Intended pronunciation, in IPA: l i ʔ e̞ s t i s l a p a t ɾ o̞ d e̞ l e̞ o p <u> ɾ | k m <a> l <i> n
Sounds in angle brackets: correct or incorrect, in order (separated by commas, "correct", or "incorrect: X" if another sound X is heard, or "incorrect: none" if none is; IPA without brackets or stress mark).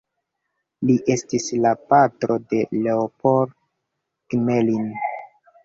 incorrect: o, incorrect: e, correct